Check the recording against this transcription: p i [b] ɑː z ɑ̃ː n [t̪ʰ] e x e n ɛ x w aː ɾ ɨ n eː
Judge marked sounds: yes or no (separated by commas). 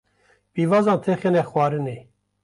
no, yes